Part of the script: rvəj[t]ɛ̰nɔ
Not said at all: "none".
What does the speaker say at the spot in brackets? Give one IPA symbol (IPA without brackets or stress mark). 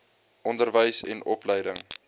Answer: s